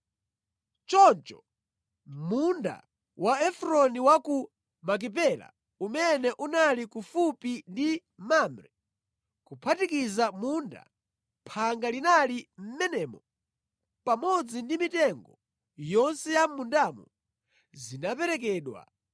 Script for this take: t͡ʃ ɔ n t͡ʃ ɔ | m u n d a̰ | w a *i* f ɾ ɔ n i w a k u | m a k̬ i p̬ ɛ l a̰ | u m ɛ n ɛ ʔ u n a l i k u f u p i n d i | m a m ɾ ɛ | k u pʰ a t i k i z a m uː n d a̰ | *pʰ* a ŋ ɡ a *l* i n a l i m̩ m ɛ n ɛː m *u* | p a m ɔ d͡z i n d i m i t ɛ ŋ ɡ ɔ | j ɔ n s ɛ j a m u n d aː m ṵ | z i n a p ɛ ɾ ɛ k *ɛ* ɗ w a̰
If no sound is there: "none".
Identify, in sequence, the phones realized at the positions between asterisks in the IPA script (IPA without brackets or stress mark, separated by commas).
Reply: ɛ, pʰ, l, ɔ, ɛː